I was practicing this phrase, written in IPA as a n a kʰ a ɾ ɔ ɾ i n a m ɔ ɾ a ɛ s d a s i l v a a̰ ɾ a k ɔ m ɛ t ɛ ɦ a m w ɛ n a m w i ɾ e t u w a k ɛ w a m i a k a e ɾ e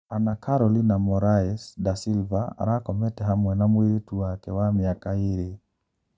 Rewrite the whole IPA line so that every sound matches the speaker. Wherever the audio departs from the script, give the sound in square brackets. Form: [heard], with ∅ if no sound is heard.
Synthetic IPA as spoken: a n a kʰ a ɾ ɔ [l] i n a m ɔ ɾ a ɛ s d a s i l v a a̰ ɾ a k ɔ m ɛ t ɛ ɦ a m w ɛ n a m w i ɾ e t u w a k ɛ w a m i a k a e ɾ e